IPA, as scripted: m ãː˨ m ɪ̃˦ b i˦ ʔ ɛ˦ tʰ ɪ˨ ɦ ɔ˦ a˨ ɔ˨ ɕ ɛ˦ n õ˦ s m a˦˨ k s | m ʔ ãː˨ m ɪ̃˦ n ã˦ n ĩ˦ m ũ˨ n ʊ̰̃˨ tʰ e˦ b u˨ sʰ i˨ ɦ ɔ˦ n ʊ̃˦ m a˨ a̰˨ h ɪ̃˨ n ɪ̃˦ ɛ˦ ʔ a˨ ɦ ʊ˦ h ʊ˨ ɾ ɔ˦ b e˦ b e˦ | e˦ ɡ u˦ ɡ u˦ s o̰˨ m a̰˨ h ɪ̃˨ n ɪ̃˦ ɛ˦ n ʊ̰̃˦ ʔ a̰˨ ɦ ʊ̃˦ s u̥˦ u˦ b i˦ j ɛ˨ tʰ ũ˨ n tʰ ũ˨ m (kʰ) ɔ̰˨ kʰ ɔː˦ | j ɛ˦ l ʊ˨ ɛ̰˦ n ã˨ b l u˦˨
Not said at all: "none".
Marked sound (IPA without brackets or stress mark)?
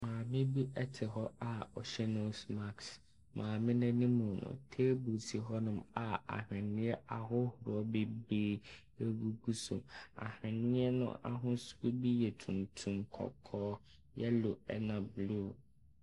kʰ